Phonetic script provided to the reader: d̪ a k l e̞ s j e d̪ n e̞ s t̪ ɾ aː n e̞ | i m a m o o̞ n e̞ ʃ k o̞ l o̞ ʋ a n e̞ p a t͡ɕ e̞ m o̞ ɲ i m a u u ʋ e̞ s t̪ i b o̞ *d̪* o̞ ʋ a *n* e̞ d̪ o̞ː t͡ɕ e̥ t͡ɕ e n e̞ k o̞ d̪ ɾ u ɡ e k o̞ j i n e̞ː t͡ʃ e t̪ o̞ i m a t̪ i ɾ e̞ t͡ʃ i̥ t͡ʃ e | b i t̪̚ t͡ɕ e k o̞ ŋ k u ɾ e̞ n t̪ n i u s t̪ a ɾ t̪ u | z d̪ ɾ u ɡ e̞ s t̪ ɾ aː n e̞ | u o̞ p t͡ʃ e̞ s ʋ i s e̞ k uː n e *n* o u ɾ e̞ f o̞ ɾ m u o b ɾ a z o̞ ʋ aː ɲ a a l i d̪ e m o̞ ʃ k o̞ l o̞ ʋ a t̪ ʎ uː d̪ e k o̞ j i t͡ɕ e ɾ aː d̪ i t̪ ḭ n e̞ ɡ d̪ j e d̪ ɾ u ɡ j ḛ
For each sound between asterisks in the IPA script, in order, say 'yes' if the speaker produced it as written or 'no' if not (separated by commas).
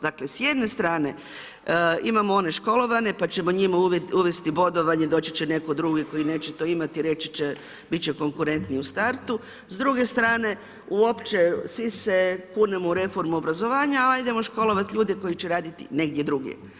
yes, no, no